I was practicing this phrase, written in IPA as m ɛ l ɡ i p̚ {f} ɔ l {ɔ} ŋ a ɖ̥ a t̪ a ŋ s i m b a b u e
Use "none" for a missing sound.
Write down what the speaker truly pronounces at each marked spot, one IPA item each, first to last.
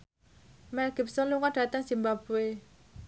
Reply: s, u

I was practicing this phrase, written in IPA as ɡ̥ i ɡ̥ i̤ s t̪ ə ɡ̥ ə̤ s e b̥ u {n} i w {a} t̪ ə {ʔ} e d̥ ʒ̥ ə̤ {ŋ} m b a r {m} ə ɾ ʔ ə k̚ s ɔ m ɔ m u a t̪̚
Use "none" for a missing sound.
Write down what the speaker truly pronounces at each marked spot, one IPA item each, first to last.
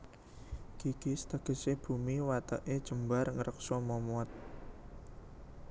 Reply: m, a, ʔ, none, ŋ

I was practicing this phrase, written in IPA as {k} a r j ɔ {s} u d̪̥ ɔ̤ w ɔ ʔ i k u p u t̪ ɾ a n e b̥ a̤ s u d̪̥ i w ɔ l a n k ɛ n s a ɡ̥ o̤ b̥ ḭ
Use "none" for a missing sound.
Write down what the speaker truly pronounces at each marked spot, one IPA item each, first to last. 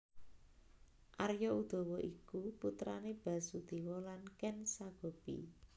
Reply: ʔ, none

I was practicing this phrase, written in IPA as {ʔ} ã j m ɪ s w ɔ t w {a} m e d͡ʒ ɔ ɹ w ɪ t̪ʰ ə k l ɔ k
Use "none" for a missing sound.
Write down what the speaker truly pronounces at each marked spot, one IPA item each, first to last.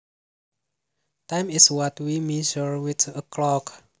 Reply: t, i

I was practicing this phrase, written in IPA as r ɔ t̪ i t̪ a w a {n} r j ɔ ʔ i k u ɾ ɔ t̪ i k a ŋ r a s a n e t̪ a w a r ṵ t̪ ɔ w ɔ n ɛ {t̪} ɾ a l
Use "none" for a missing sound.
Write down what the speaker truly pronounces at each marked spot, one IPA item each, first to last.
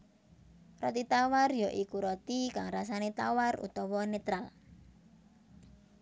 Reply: none, t̪

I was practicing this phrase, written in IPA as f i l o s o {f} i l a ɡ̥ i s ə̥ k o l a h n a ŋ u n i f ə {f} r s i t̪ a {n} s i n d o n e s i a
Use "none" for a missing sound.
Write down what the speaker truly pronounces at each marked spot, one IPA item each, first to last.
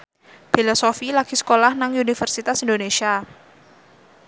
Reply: f, none, none

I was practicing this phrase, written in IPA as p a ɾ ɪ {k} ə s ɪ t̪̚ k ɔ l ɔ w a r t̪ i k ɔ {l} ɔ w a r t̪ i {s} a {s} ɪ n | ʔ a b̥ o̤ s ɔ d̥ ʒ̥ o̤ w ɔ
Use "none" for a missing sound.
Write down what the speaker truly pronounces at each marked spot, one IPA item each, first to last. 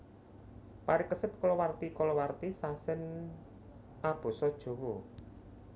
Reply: k, l, s, s

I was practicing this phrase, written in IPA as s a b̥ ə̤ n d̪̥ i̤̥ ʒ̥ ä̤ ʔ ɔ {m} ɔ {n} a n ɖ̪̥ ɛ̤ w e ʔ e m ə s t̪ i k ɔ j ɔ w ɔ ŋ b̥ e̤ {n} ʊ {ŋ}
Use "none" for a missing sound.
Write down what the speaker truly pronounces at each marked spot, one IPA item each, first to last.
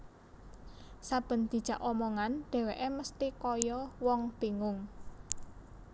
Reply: m, ŋ, ŋ, ŋ

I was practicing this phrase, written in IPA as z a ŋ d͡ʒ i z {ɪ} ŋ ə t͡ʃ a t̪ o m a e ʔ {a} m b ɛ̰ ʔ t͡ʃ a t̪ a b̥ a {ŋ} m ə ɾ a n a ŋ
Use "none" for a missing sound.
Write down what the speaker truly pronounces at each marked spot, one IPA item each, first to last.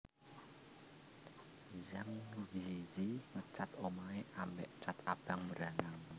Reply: i, a, ŋ

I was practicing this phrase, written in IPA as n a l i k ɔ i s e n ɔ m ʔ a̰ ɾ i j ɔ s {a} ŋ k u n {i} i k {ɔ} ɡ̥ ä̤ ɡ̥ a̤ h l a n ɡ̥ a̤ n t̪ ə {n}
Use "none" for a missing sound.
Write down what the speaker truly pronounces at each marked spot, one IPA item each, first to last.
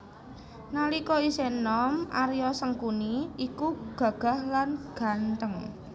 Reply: ə, i, u, ŋ

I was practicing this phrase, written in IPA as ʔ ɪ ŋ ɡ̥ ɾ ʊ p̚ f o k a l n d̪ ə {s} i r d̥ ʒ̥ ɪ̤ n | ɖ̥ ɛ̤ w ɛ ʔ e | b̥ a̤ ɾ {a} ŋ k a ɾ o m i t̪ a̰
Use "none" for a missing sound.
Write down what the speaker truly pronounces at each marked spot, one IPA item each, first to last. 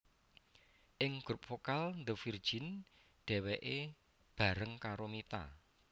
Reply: f, ə

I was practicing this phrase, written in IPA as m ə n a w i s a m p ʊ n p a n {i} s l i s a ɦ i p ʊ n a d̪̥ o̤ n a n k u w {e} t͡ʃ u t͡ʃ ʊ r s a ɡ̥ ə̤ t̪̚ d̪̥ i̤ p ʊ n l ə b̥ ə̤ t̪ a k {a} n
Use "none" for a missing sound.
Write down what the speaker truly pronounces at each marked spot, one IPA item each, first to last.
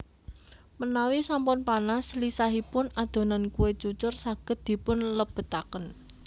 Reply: a, e, ə

